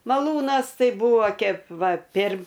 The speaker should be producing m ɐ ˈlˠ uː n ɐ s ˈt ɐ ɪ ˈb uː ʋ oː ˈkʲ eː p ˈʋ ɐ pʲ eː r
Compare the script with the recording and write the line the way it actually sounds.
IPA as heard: m ɐ ˈlˠ uː n ɐ s ˈt ɐ ɪ ˈb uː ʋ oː ˈkʲ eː p ˈʋ ɐ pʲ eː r